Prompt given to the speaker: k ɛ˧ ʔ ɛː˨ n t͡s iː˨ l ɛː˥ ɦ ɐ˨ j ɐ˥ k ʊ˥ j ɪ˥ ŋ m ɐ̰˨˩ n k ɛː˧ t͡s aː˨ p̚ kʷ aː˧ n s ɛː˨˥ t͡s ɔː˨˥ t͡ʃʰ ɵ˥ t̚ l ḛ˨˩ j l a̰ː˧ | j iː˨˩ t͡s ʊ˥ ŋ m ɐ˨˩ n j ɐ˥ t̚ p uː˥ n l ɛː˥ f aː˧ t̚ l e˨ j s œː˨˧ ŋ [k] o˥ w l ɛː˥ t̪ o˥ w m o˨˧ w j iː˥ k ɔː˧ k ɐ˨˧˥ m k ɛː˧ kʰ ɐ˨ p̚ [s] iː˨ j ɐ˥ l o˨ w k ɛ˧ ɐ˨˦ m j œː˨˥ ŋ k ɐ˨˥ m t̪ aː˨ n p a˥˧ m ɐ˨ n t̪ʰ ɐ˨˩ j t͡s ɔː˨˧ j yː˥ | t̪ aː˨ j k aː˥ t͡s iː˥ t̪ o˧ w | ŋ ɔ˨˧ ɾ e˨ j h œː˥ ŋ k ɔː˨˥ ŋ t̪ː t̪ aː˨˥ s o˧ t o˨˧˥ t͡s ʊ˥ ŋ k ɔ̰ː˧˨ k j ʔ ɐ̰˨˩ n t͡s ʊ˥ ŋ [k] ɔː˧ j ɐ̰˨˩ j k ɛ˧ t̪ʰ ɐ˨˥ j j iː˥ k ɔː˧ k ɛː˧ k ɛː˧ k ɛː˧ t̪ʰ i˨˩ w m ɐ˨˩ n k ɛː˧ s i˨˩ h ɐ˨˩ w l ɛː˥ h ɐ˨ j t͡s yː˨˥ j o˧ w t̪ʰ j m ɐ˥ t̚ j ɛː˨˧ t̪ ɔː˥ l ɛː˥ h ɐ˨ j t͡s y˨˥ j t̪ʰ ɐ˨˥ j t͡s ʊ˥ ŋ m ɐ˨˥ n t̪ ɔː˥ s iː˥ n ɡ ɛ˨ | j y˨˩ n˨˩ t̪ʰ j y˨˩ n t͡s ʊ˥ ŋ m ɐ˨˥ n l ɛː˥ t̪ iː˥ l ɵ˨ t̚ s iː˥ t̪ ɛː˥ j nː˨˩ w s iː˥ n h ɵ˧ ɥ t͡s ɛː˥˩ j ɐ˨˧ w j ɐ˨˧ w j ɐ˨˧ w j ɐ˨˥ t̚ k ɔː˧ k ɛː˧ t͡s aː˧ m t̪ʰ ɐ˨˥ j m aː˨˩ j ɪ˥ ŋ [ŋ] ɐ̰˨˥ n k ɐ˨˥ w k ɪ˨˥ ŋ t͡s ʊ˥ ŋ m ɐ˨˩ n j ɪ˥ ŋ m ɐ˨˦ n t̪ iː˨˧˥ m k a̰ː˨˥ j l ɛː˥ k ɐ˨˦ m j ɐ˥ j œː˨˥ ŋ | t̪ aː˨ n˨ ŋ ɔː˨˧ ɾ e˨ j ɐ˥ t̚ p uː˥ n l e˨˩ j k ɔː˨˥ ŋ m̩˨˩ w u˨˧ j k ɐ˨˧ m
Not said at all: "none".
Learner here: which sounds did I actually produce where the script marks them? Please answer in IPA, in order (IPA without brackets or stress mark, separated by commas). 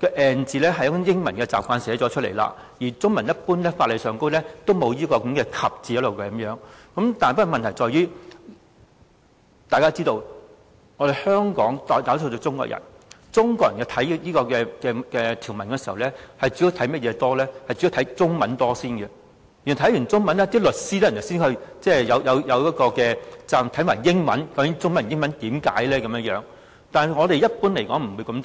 k, t͡s, k, m